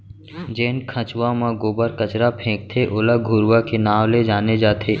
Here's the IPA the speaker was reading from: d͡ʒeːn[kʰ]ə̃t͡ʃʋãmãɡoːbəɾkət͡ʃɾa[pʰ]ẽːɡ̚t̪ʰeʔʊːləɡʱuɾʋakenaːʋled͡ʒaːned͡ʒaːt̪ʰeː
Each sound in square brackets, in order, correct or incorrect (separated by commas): correct, correct